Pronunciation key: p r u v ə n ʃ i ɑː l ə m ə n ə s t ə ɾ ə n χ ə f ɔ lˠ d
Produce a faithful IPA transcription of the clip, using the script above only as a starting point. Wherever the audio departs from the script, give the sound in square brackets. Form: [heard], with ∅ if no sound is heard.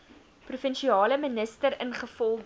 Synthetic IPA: p r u [f] ə n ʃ i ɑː l ə m ə n ə s t ə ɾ ə n χ ə f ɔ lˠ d